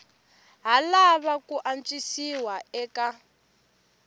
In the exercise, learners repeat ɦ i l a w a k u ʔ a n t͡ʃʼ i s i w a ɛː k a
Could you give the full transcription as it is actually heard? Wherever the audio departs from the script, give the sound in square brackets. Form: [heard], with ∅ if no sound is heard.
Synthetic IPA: ɦ [a] l a [β] a k u ʔ a n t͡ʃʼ i s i w a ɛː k a